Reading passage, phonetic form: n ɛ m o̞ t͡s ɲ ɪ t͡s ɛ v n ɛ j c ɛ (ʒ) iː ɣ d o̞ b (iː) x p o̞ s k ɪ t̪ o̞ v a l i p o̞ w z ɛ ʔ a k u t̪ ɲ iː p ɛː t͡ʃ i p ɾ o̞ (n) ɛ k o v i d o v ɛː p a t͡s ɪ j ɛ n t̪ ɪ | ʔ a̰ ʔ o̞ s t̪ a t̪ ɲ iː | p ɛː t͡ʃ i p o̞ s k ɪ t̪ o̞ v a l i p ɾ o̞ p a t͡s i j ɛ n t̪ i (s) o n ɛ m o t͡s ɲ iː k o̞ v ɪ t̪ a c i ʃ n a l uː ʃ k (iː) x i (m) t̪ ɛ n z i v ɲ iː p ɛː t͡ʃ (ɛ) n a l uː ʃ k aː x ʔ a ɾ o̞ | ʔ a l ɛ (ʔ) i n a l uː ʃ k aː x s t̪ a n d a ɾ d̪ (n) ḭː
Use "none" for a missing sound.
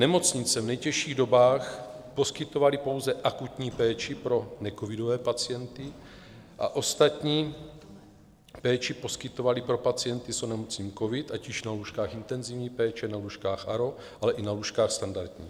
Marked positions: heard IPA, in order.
ʃ, aː, n, s, aː, n, ɛ, ʔ, ɲ

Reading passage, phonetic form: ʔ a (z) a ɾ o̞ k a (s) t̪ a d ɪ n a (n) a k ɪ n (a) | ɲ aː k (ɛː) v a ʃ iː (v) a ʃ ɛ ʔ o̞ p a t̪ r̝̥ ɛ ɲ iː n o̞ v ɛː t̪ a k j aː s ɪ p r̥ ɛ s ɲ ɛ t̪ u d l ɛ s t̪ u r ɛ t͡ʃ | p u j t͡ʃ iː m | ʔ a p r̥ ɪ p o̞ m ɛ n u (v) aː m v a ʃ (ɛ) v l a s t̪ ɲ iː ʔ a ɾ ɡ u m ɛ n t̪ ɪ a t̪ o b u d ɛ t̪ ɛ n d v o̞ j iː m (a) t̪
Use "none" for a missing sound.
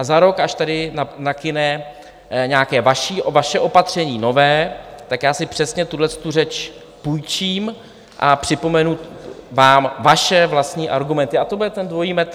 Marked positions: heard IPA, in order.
z, ʃ, n, ɛ, ɛː, v, v, ɛ, ɛ

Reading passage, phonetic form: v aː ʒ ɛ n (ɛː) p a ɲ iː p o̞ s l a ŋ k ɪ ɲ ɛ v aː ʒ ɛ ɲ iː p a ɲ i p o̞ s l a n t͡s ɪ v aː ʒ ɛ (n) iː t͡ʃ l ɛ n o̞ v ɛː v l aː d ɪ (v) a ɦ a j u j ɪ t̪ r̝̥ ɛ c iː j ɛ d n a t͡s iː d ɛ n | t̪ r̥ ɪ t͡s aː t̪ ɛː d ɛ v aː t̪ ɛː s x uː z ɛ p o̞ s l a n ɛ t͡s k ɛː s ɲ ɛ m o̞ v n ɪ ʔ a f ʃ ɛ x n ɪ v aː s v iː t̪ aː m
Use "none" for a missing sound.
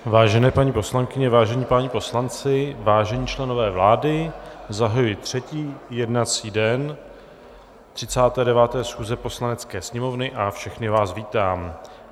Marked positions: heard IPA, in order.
ɛː, ɲ, z

